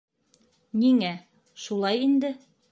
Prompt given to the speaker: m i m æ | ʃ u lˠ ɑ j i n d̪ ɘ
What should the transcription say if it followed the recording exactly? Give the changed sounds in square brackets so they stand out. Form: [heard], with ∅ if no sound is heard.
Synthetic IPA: [n] i [ŋ] æ | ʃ u lˠ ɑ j i n d̪ ɘ